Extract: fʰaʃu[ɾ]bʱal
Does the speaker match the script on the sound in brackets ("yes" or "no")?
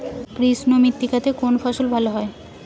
no